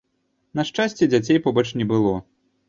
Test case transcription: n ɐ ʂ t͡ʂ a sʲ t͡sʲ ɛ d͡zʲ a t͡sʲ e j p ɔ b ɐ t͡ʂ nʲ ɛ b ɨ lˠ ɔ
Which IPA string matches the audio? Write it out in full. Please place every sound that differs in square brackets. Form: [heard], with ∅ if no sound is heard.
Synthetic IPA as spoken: n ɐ ʂ t͡ʂ a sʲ t͡sʲ ɛ d͡zʲ a t͡sʲ e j p ɔ b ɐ t͡ʂ nʲ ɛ b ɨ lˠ ɔ